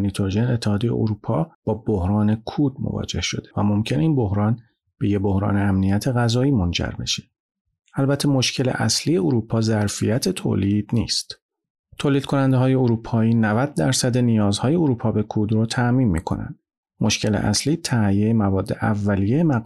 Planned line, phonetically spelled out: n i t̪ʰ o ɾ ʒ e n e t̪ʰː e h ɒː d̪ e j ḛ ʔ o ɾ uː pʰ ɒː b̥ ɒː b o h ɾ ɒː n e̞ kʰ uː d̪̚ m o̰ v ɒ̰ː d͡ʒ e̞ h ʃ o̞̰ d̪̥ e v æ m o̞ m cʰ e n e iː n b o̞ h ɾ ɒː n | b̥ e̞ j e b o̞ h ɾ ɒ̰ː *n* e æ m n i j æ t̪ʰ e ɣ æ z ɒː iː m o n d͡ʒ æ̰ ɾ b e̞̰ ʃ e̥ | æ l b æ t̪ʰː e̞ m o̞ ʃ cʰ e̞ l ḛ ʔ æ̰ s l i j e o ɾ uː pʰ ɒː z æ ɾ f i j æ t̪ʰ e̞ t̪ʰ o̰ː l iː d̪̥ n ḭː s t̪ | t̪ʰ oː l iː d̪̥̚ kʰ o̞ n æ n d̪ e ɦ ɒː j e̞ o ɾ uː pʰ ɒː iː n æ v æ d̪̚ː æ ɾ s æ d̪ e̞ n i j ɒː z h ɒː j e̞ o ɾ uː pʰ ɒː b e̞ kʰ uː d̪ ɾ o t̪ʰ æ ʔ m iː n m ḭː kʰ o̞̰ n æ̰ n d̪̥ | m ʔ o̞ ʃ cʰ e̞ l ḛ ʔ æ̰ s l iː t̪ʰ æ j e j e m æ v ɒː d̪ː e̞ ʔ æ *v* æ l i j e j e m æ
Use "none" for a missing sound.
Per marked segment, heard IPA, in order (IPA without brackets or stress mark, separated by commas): n, vː